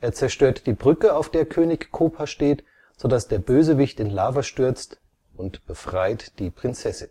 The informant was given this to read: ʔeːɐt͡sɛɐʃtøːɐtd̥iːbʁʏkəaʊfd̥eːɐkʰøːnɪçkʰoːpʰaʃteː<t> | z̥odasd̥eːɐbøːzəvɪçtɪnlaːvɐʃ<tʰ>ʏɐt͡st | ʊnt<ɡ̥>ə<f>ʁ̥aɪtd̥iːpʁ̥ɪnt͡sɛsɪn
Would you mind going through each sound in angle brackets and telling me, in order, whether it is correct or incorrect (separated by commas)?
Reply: correct, incorrect, incorrect, correct